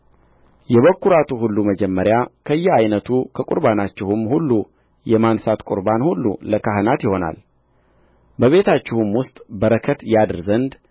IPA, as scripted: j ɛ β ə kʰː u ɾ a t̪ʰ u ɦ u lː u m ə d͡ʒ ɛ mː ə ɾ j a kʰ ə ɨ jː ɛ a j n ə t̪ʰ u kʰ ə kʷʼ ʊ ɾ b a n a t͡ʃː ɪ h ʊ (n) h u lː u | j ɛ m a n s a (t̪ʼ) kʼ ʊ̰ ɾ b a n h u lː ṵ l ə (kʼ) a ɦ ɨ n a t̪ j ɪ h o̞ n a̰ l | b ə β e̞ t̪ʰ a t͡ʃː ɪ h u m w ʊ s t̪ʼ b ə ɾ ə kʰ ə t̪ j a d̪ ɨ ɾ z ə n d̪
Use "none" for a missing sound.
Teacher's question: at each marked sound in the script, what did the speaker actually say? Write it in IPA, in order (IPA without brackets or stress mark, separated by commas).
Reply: m, t̪, k